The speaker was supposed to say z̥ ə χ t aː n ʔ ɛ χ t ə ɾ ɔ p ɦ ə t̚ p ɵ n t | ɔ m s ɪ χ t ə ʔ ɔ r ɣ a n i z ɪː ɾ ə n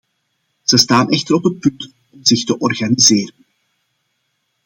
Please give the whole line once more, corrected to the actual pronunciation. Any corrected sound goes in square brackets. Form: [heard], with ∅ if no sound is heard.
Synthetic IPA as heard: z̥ ə [s] t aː n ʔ ɛ [x] t ə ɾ ɔ p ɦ ə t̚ p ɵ n t | ɔ m [z] ɪ [x] t ə ʔ ɔ r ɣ a n i z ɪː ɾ ə n